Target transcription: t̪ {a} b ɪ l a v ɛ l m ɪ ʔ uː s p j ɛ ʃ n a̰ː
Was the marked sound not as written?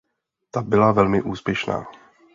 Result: no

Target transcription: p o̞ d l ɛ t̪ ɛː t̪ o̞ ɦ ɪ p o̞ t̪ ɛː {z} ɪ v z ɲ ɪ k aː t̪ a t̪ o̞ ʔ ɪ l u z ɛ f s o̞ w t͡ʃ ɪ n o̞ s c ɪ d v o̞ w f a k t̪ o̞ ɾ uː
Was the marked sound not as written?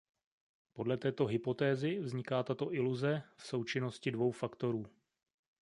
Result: no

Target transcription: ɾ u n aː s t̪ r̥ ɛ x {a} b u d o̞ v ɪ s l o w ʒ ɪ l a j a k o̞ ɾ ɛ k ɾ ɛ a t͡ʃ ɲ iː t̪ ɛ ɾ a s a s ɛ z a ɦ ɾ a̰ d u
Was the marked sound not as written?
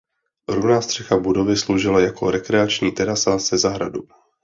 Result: no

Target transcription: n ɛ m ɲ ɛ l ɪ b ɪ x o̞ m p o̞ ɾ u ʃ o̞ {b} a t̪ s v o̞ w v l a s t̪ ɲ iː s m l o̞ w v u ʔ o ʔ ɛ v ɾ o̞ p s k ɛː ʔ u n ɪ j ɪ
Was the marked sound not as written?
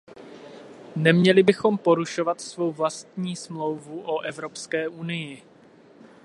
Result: yes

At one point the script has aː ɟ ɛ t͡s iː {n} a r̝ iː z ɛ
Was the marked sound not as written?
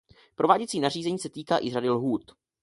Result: no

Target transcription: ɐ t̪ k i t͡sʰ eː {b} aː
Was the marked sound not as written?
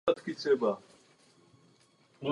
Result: no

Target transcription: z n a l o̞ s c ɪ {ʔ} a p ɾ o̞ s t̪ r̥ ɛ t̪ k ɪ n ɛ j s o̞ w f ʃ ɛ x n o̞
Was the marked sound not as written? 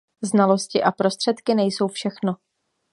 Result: no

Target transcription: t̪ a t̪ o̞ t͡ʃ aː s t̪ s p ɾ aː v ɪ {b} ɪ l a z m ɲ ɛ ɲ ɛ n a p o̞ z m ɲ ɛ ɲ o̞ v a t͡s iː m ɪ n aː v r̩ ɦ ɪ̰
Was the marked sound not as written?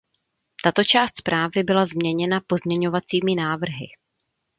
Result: no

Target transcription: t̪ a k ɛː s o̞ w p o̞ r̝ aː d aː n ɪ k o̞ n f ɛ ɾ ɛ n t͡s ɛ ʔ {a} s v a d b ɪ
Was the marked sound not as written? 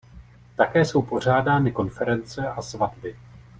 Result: no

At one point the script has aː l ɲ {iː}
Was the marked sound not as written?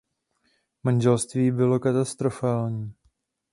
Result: no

